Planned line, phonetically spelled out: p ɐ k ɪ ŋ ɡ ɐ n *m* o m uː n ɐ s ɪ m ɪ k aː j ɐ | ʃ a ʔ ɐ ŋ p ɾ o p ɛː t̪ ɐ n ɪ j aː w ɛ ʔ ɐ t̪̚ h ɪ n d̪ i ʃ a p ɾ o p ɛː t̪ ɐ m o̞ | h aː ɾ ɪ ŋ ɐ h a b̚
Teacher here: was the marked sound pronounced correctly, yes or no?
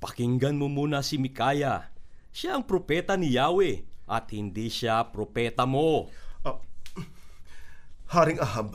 yes